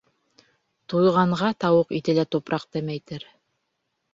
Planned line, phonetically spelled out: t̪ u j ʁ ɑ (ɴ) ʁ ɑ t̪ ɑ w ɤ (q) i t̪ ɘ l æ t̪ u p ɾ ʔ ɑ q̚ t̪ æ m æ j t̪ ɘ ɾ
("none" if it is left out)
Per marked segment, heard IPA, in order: ɴ, q

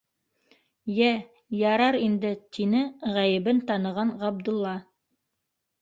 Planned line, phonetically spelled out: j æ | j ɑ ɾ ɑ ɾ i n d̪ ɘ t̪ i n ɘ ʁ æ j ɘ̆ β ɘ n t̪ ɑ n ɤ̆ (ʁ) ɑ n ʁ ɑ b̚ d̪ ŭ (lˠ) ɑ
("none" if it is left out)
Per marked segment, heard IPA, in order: ʁ, lˠː

